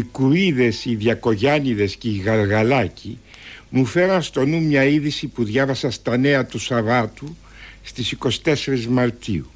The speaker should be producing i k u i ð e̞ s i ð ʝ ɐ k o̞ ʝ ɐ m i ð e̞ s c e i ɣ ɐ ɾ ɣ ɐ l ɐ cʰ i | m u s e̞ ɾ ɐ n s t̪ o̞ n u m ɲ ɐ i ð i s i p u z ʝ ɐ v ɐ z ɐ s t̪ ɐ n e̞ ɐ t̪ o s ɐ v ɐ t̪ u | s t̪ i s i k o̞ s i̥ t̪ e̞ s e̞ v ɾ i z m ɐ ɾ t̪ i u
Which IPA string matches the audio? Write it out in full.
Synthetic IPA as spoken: i k u i ð e̞ s i ð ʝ ɐ k o̞ ʝ ɐ n i ð e̞ s c e i ɣ ɐ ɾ ɣ ɐ l ɐ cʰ i | m u f e̞ ɾ ɐ n s t̪ o̞ n u m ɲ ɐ i ð i s i p u ð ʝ ɐ v ɐ s ɐ s t̪ ɐ n e̞ ɐ t̪ u s ɐ v ɐ t̪ u | s t̪ i s i k o̞ s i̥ t̪ e̞ s e̞ ɾ i z m ɐ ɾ t̪ i u